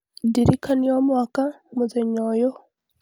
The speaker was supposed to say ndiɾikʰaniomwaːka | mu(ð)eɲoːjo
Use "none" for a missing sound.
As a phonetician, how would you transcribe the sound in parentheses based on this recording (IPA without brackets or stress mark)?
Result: z